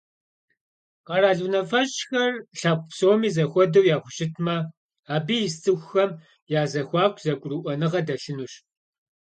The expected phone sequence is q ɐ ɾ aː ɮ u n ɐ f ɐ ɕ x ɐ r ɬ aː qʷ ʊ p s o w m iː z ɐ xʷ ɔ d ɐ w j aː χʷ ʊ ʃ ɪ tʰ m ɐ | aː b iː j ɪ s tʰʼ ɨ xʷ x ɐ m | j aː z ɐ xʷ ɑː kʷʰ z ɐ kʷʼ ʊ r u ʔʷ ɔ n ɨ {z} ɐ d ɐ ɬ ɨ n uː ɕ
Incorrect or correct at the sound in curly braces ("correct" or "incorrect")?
incorrect